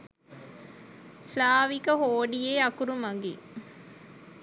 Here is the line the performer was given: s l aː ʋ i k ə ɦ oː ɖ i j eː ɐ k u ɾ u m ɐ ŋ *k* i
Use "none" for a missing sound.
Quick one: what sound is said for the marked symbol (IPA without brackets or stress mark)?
ɡ